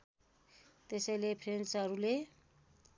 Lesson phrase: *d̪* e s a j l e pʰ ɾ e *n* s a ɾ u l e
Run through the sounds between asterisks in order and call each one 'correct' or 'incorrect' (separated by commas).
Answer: incorrect, correct